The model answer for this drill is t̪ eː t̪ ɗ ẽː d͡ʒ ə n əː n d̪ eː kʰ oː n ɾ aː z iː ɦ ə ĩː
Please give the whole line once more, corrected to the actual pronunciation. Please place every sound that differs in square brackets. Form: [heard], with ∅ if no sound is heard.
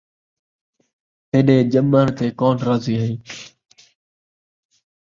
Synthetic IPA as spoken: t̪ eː [∅] ɗ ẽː d͡ʒ ə [m] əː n [t̪] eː [k] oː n ɾ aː z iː ɦ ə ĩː